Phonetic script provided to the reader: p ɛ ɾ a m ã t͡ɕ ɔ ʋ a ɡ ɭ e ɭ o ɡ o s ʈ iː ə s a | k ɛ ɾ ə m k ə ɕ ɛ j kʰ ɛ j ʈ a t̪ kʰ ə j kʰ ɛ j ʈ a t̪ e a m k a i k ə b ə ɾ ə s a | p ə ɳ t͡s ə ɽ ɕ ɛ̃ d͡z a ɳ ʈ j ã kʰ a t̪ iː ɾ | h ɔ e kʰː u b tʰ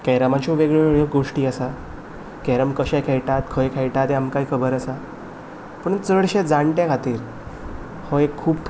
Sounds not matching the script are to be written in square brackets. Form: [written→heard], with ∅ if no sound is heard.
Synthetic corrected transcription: [p→k] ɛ ɾ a m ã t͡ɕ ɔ ʋ [a→e] ɡ ɭ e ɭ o ɡ o [s→ʂ] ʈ iː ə s a | k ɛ ɾ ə m k ə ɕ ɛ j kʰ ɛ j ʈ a t̪ kʰ ə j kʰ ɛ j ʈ a t̪ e a m k a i [k→kʰ] ə b ə ɾ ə s a | p ə ɳ t͡s ə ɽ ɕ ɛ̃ d͡z a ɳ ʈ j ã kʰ a t̪ iː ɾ | h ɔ e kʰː [u→uː] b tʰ